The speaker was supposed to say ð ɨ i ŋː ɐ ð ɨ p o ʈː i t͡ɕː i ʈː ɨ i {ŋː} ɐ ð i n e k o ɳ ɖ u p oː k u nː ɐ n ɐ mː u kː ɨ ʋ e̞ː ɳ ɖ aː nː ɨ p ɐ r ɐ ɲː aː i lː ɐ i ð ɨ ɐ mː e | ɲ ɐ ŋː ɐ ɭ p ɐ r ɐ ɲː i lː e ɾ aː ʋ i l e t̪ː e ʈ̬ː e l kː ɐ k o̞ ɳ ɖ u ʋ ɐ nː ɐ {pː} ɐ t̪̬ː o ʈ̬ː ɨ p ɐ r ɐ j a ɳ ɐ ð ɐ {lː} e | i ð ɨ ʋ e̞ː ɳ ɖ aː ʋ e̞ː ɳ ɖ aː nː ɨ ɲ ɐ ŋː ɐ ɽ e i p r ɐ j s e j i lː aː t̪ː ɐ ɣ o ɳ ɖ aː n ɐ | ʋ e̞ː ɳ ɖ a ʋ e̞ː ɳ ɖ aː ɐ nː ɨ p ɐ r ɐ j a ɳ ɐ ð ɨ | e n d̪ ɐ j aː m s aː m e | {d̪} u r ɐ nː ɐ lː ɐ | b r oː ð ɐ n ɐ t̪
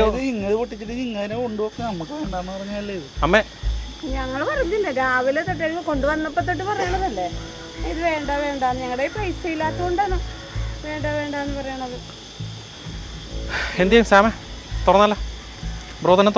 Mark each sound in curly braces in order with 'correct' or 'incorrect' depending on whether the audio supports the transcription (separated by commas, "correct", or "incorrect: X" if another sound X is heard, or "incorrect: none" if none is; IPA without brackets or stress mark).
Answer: correct, correct, correct, incorrect: t̪